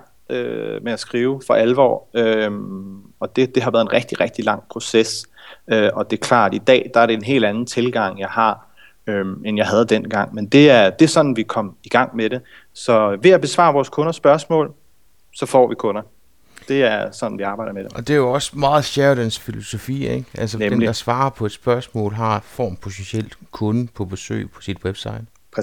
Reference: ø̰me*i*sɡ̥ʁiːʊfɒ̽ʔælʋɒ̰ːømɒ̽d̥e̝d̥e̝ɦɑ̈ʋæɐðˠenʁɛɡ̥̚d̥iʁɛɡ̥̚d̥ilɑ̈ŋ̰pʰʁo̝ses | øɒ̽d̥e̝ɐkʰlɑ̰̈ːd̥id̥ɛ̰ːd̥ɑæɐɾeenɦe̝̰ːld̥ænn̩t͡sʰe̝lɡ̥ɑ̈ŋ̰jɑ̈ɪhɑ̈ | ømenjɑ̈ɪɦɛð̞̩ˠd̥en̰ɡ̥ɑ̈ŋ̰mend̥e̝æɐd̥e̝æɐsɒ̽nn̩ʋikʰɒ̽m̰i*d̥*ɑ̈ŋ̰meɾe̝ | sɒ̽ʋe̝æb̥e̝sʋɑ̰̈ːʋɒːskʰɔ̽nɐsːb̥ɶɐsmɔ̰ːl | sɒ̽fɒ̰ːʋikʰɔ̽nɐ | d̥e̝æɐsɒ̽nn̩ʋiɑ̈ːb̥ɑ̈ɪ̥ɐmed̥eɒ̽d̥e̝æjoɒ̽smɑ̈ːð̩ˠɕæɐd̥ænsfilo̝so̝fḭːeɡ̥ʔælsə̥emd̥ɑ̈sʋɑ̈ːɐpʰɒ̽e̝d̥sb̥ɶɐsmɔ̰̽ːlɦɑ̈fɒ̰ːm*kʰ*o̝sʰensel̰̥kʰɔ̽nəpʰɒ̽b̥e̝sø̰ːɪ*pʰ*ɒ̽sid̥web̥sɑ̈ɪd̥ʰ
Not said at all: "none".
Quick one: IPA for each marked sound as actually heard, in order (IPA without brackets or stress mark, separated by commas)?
æ, ɡ̥, pʰ, pʰ